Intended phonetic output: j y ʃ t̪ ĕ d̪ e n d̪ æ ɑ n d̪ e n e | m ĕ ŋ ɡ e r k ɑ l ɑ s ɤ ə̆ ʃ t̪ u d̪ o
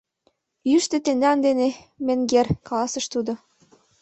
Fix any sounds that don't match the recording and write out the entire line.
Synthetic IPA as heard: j y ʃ t̪ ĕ t̪ e n d̪ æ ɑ n d̪ e n e | m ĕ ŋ ɡ e r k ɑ l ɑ s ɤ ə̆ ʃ t̪ u d̪ o